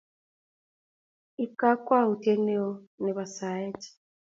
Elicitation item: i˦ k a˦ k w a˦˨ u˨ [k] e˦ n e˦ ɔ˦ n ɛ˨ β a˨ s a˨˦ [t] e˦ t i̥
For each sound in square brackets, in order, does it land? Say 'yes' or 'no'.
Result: no, no

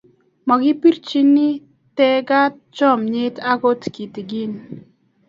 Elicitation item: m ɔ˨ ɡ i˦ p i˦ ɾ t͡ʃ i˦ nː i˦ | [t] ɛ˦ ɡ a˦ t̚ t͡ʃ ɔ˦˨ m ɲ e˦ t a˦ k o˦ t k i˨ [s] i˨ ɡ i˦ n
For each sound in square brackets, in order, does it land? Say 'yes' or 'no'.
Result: yes, no

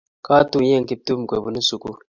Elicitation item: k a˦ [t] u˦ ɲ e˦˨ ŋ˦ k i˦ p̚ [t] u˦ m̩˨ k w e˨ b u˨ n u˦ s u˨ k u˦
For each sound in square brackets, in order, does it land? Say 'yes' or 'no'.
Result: yes, yes

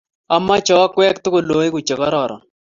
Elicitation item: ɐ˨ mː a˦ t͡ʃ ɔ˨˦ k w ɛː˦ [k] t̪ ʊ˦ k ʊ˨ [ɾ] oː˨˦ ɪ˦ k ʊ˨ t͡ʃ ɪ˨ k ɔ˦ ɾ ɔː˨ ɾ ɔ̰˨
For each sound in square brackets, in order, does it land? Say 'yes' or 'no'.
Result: yes, no

